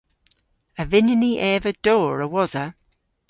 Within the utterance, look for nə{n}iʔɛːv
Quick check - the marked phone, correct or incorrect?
correct